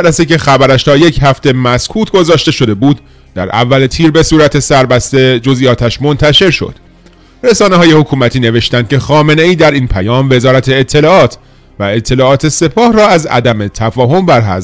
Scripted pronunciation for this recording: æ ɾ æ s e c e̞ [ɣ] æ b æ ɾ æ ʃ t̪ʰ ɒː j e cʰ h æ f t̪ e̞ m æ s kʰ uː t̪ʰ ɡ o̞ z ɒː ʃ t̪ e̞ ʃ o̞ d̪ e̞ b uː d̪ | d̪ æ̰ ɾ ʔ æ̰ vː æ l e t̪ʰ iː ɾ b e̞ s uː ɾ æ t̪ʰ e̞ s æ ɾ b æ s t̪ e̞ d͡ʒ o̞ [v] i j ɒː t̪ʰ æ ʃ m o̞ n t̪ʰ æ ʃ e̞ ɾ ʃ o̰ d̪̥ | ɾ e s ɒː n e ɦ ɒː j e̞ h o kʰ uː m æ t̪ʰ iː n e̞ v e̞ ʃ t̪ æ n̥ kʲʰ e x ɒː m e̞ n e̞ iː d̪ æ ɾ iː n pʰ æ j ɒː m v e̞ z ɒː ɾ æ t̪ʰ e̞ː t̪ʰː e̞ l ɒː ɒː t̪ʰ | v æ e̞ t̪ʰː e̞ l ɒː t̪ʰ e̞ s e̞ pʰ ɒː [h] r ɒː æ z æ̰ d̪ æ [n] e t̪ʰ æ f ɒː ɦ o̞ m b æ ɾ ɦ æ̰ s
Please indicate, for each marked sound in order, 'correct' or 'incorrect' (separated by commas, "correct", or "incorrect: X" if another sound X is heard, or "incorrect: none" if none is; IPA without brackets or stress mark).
incorrect: x, incorrect: z, correct, incorrect: m